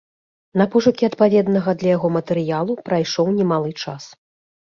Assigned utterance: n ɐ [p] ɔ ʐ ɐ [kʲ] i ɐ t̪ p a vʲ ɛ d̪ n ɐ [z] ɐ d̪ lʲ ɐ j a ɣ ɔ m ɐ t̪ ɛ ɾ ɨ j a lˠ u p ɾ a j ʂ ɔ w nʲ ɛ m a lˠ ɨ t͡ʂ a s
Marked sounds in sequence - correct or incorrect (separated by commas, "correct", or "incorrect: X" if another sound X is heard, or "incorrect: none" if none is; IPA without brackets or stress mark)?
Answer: correct, correct, incorrect: ɣ